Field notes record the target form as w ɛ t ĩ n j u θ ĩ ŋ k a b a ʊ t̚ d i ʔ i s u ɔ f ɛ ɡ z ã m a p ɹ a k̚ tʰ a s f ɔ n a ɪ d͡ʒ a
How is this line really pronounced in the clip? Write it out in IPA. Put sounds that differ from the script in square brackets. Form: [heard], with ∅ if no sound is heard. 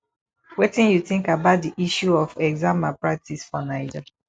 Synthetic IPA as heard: w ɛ t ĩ n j u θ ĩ ŋ k a b a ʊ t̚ d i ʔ i [ʃ] u ɔ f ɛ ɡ z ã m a p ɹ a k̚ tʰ [i] s f ɔ n a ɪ d͡ʒ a